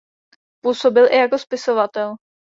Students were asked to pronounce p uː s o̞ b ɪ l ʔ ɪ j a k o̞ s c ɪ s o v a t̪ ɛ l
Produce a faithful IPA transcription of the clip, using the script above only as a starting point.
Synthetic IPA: p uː s o̞ b ɪ l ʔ ɪ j a k o̞ s p ɪ s o v a t̪ ɛ l